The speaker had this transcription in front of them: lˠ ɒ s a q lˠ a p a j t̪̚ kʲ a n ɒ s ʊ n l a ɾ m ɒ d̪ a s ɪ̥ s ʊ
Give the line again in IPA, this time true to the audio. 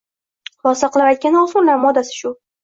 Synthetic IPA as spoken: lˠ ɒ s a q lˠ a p a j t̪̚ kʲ a n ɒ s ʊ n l a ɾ m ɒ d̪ a s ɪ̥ ʃ ʊ